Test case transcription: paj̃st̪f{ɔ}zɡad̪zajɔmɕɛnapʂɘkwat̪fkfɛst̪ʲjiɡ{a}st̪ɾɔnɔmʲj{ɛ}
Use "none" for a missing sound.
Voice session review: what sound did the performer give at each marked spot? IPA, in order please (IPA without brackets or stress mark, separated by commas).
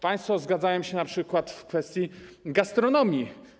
ɔ, a, i